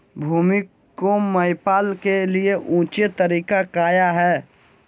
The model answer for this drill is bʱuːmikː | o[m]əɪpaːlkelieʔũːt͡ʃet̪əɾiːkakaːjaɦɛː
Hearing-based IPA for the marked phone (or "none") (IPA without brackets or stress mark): m